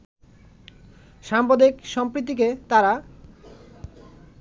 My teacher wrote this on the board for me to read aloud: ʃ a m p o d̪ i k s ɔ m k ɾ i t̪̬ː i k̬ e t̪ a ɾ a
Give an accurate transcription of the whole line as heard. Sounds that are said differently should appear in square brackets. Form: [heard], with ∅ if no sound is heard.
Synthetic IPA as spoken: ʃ a m p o d̪ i k [ʃ] ɔ m [p] ɾ i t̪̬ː i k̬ e t̪ a ɾ a